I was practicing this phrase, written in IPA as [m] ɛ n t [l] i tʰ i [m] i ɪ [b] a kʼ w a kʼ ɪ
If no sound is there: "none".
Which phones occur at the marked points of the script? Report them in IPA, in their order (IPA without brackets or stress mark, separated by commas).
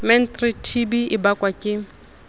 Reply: m, r, b, b